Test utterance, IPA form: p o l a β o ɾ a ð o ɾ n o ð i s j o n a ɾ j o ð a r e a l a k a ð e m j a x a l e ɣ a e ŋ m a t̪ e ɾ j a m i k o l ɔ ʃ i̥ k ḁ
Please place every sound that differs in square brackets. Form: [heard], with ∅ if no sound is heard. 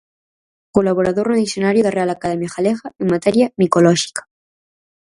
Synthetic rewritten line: [k] o l a β o ɾ a ð o ɾ n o ð i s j o n a ɾ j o ð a r e a l a k a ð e m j a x a l e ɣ a e ŋ m a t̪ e ɾ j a m i k o l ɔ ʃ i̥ k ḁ